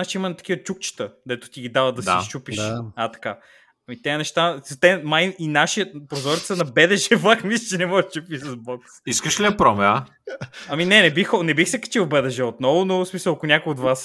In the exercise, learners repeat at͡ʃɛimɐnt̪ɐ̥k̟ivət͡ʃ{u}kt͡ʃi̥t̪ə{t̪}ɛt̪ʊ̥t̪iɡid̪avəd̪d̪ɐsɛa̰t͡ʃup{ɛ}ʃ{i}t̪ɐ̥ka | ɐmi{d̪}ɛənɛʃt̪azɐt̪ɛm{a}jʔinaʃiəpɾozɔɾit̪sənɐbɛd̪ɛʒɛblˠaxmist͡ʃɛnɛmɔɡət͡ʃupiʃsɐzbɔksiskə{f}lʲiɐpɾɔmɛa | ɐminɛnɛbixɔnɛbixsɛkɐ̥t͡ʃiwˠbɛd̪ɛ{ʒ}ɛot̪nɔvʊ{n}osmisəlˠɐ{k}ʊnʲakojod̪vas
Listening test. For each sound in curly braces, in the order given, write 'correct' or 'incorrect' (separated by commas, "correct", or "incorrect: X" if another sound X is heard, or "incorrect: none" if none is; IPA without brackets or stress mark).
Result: correct, incorrect: d̪, incorrect: i, incorrect: a, incorrect: t̪, correct, incorrect: ʃ, correct, correct, correct